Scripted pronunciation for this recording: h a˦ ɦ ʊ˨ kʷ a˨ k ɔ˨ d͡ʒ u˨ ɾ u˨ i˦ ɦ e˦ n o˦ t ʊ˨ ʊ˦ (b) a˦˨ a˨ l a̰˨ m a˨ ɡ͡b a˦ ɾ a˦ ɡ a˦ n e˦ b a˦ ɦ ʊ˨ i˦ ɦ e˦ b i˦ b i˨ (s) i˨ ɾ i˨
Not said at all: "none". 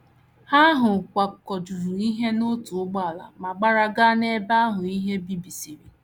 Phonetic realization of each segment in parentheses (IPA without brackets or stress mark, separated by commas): ɡ͡b, s